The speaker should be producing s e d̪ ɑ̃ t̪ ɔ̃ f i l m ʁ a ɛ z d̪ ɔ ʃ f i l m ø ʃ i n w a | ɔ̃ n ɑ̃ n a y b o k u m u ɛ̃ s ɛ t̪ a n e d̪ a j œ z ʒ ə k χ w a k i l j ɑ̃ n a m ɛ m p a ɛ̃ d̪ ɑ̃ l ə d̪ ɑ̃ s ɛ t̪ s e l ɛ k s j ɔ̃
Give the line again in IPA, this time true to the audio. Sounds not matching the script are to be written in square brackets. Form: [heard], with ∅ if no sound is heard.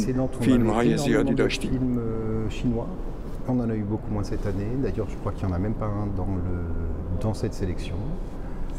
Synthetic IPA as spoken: s e d̪ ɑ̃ t̪ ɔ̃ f i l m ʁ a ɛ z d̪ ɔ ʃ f i l m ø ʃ i n w a | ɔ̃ n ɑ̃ n a y b o k u m [w] ɛ̃ s ɛ t̪ a n e d̪ a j œ [ʁ] ʒ ə k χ w a k i l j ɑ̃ n a m ɛ m p a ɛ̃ d̪ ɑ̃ l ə d̪ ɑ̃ s ɛ t̪ s e l ɛ k s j ɔ̃